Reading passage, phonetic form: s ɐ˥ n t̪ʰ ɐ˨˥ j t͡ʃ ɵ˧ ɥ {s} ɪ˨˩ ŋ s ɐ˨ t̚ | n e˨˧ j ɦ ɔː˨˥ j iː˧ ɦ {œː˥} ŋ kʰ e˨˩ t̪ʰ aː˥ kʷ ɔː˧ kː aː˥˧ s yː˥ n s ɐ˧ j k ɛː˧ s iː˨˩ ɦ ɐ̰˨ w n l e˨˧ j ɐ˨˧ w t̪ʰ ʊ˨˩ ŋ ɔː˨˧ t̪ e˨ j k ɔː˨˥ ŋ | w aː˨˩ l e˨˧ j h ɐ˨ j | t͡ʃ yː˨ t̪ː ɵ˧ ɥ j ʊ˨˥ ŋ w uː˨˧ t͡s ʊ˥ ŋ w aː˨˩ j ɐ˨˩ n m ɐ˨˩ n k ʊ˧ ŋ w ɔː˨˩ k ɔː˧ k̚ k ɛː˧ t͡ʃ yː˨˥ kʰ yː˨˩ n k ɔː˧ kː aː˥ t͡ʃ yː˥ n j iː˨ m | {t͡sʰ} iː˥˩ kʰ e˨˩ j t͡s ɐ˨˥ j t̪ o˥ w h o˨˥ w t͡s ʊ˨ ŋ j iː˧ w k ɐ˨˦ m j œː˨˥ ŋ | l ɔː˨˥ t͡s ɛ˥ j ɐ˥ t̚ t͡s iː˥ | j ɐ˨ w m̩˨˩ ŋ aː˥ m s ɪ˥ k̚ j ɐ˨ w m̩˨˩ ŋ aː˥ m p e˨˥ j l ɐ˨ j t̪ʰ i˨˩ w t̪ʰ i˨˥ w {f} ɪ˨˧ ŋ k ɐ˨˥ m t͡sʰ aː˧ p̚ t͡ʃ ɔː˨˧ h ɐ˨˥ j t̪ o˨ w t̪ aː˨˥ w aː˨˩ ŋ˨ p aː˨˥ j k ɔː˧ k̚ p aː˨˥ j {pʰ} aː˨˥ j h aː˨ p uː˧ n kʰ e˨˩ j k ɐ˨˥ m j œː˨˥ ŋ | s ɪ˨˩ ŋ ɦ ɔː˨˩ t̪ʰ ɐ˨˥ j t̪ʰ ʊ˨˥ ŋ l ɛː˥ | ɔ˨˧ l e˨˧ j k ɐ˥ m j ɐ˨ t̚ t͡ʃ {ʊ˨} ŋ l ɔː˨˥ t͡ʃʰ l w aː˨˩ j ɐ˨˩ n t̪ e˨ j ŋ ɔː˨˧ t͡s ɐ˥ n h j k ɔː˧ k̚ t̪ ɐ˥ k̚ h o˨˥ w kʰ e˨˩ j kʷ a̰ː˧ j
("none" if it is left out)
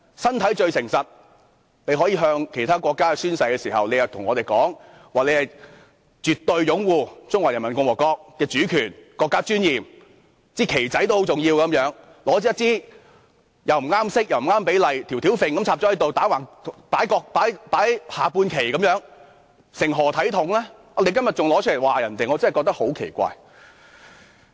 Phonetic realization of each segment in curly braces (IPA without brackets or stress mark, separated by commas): s, œː˧, t͡s, f, p, ʊ˨